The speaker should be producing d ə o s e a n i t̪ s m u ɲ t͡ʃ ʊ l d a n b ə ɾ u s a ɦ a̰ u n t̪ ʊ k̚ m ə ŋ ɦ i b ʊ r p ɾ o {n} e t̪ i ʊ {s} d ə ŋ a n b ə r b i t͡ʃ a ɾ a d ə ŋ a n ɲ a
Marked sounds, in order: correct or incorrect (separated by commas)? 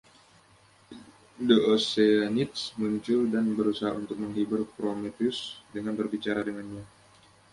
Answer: incorrect, correct